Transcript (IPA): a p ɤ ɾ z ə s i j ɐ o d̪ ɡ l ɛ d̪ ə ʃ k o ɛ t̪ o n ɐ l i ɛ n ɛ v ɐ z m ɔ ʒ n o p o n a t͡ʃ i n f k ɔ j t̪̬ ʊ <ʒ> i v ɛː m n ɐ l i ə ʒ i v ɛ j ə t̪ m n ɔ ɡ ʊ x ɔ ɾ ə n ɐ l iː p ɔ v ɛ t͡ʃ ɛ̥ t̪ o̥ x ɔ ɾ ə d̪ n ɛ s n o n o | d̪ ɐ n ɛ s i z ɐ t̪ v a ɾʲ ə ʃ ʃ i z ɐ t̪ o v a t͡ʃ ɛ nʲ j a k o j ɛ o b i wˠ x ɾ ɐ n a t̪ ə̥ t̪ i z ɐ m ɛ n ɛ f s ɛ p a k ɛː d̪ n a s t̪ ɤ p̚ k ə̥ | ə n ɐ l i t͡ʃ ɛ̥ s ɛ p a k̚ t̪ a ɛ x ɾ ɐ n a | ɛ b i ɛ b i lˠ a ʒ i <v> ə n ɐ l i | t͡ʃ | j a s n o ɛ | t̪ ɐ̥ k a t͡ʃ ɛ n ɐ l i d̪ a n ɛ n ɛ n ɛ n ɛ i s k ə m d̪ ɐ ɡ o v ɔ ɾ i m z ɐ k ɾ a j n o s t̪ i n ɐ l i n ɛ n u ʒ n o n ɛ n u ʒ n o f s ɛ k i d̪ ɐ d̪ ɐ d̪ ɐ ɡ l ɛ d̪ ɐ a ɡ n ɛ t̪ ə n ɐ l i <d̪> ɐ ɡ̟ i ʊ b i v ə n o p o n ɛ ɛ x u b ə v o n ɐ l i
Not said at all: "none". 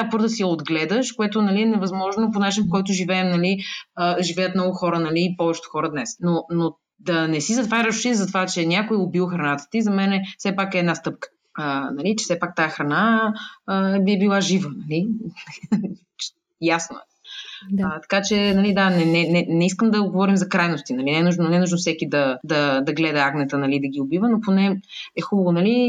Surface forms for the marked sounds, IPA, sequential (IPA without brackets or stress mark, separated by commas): ʒ, v, d̪